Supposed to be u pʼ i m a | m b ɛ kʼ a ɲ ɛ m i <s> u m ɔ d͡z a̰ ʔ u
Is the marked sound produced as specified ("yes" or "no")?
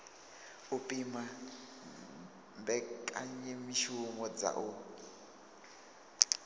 no